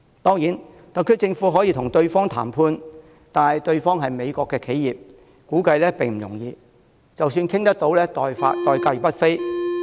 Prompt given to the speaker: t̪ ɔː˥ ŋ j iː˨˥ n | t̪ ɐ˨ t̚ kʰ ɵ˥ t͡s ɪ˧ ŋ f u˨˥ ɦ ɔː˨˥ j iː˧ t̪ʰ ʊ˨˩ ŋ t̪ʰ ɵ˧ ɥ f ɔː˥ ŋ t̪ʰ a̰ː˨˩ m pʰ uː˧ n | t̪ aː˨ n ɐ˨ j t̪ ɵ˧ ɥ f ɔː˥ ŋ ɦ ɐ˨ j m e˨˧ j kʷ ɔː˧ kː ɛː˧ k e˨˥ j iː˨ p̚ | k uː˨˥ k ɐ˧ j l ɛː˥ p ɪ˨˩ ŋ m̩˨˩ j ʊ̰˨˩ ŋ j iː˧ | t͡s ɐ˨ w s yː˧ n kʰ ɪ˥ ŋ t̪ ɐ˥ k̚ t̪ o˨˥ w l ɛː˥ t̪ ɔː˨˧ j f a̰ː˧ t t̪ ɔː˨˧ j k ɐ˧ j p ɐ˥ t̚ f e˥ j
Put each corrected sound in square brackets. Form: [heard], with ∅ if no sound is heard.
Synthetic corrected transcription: t̪ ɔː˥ ŋ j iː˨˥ n | t̪ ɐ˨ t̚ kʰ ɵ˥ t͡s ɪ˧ ŋ f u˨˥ ɦ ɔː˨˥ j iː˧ t̪ʰ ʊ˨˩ ŋ [t̪] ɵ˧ ɥ f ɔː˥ ŋ t̪ʰ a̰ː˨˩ m pʰ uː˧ n | t̪ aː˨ n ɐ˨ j t̪ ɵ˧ ɥ f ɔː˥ ŋ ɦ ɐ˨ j m e˨˧ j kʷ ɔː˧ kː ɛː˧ [kʰ] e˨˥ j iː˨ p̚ | k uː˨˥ k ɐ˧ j l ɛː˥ p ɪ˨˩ ŋ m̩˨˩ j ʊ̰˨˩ ŋ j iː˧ | t͡s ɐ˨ w s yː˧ n kʰ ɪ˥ ŋ t̪ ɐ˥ k̚ t̪ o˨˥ w l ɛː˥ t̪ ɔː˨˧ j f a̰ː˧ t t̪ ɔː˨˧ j k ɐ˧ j p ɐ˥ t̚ f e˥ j